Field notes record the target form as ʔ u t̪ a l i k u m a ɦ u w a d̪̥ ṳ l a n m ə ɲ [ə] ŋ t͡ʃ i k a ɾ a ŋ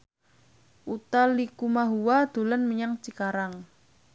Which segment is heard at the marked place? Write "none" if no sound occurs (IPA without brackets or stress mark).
a